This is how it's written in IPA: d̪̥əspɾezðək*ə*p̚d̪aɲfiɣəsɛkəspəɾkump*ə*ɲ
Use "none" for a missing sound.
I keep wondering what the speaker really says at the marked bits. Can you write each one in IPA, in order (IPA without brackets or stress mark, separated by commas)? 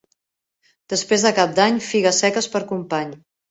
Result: a, a